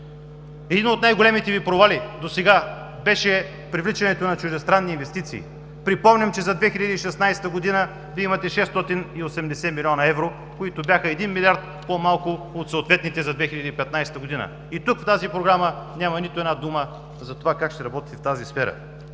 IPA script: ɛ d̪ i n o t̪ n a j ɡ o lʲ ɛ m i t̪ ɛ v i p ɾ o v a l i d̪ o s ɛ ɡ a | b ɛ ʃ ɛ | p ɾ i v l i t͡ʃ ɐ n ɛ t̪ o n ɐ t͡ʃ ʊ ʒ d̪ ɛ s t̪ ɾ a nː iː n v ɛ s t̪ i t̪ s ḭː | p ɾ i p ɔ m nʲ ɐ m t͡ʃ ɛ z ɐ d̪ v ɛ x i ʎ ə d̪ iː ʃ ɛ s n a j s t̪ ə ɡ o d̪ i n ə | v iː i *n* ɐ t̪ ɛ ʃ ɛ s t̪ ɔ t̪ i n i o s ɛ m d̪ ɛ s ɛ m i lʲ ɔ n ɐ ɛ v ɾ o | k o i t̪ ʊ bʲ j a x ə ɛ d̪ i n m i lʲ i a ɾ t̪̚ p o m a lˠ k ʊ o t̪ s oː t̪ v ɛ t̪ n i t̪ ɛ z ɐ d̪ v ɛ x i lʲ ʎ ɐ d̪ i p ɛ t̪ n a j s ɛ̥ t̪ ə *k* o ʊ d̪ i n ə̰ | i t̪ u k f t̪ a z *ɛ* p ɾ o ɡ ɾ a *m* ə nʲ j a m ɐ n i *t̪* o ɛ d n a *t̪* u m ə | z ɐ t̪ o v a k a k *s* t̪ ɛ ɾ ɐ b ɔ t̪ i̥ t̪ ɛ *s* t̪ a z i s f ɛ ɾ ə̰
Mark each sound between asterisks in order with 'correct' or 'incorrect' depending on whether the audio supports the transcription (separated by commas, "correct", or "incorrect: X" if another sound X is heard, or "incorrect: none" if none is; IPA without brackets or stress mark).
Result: incorrect: m, incorrect: ɡ, incorrect: i, correct, correct, incorrect: d̪, incorrect: ʃ, incorrect: f